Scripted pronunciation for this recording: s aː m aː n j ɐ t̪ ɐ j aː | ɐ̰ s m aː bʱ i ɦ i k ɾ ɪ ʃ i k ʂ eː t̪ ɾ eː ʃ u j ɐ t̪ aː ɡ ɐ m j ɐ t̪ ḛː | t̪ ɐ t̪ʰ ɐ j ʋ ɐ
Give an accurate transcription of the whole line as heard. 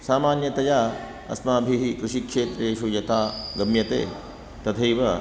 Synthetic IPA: s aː m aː n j ɐ t̪ ɐ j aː | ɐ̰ s m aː bʱ i ɦ i k ɾ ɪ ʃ i k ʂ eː t̪ ɾ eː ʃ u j ɐ t̪ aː ɡ ɐ m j ɐ t̪ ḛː | t̪ ɐ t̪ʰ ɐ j ʋ ɐ